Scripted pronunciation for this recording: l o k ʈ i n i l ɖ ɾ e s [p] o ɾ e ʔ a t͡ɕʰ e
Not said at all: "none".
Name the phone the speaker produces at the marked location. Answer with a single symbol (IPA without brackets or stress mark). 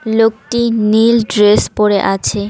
p